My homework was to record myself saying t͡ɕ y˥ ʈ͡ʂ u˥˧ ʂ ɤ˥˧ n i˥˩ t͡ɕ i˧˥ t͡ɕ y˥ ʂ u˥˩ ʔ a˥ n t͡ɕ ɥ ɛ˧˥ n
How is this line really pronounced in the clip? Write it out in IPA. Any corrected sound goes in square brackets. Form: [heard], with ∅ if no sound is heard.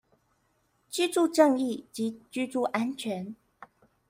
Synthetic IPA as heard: t͡ɕ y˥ ʈ͡ʂ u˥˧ [ʈ͡ʂ] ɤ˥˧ [ŋ] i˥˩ t͡ɕ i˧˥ t͡ɕ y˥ [ʈ͡ʂ] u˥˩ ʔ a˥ n [t͡ɕʰ] ɥ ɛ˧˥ n